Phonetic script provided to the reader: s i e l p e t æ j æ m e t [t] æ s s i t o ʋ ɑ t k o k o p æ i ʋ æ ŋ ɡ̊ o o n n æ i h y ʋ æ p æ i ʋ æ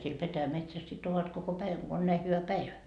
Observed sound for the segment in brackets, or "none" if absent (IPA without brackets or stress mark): s